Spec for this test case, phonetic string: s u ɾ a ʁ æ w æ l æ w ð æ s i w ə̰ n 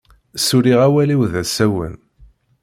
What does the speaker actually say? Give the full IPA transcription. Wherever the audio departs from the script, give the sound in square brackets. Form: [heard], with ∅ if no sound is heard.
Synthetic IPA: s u ɾ [i] ʁ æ w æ l [i] w ð æ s [æ] w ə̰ n